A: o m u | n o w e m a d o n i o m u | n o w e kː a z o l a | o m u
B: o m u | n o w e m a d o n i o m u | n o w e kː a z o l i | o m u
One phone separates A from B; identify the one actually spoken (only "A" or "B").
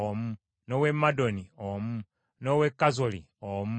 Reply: B